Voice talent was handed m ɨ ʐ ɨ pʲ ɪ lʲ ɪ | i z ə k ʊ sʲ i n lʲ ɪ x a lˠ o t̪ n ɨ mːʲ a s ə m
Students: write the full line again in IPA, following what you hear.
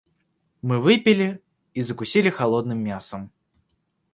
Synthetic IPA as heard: m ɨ v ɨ pʲ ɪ lʲ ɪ | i z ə k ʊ sʲ i lʲ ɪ x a lˠ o d̪ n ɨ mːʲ a s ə m